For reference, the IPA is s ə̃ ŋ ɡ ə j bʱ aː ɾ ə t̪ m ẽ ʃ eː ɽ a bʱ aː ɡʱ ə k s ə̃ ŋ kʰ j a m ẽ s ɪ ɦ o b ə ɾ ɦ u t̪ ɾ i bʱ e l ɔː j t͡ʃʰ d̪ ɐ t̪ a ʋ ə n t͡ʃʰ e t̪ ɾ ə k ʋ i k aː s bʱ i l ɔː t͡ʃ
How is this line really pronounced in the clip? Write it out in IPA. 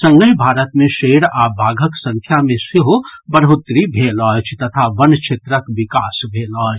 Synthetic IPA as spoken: s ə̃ ŋ ɡ ə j bʱ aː ɾ ə t̪ m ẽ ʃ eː ɽ a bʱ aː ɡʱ ə k s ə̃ ŋ kʰ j a m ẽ s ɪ ɦ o b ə ɾ ɦ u t̪ ɾ i bʱ e l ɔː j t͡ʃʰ t̪ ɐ t̪ʰ a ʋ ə n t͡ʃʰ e t̪ ɾ ə k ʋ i k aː s bʱ e l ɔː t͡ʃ